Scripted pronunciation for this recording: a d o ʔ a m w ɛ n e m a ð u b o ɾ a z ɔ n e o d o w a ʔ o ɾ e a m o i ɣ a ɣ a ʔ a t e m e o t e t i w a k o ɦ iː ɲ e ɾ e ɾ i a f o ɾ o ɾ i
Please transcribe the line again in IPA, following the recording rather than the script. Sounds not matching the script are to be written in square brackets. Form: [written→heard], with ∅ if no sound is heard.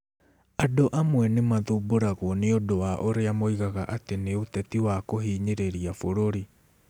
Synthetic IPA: a d o ʔ a m w ɛ n e m a ð u b o ɾ a [z→ɣ] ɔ n e o d o w a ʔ o ɾ e a m o i ɣ a ɣ a ʔ a t e [m→n] e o t [e→ɛ] t i w a k o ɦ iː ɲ e ɾ e ɾ i a f o ɾ o ɾ i